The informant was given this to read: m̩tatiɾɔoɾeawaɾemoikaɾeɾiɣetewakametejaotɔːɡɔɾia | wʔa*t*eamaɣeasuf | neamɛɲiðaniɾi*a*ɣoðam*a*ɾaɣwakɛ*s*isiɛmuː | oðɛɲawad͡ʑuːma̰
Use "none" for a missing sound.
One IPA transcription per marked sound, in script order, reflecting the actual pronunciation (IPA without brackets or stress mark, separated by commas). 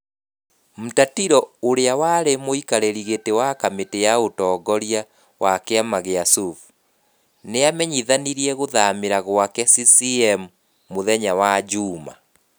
k, ɛ, e, s